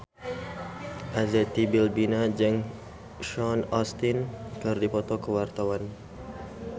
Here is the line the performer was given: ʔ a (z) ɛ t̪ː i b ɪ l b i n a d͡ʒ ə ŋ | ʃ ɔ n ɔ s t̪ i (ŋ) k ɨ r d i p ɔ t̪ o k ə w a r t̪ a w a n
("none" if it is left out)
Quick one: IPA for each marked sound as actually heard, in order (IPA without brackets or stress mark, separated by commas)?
z, n